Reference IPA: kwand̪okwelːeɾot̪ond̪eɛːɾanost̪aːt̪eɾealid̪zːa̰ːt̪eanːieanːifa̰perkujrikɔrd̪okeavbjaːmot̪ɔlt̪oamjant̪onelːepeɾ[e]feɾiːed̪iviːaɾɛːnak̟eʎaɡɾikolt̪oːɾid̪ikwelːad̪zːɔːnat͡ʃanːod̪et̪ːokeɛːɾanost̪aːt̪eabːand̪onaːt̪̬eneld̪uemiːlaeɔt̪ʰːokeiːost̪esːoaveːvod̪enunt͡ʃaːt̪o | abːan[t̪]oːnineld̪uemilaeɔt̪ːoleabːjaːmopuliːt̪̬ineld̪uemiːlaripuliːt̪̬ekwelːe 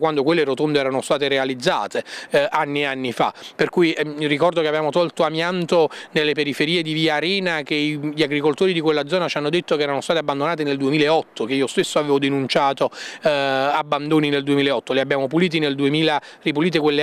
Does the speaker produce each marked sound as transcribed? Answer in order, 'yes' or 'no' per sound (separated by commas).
no, no